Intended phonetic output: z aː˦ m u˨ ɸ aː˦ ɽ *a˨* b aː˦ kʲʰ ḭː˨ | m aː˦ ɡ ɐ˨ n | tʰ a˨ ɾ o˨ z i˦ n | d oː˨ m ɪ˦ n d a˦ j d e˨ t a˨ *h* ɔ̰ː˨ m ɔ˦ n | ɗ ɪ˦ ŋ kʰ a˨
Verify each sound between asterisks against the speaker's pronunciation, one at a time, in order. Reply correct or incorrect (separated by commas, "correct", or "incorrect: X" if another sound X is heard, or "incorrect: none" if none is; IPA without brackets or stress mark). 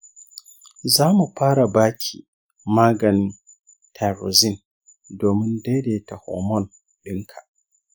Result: correct, correct